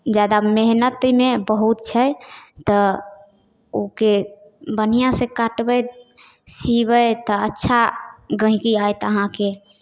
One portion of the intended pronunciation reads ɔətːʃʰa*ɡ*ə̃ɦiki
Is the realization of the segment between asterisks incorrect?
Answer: no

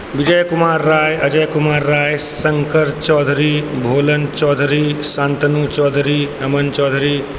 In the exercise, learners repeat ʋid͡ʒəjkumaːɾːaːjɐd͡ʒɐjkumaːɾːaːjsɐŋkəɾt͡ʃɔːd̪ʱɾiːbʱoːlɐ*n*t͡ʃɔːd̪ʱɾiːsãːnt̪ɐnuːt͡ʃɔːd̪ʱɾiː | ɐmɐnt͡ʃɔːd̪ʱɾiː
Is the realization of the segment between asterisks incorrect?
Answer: no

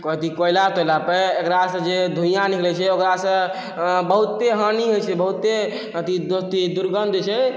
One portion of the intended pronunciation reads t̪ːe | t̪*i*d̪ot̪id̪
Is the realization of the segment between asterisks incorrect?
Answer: no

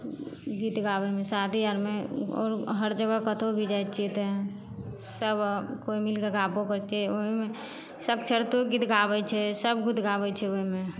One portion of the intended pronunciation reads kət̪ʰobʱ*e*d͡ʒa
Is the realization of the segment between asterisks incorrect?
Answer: yes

